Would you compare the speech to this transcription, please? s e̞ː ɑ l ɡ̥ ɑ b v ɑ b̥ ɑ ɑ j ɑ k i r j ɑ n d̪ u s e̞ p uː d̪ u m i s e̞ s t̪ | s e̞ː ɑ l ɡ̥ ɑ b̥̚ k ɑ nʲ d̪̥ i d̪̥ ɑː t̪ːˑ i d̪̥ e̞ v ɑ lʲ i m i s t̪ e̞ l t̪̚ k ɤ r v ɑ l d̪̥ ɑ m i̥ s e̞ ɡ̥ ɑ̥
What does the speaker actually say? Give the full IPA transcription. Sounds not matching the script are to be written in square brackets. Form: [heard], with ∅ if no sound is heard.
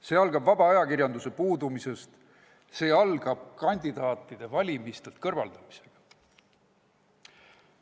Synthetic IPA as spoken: s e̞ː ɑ l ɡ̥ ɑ b v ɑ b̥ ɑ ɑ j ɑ k i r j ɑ n d̪ u s e̞ p uː d̪ u m i s e̞ s t̪ | s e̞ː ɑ l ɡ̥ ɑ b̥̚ k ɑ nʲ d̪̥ i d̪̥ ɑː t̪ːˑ i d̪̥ e̞ v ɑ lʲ i m i s t̪ e̞ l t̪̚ k ɤ r v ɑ l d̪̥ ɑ m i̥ s e̞ ɡ̥ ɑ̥